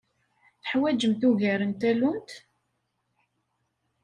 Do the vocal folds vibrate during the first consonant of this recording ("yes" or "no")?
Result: no